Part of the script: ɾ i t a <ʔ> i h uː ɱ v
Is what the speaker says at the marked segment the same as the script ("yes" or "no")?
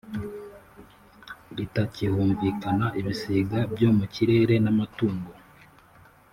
no